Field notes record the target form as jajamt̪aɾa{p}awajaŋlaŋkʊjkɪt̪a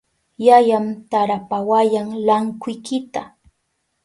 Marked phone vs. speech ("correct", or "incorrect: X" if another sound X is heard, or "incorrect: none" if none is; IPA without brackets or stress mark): correct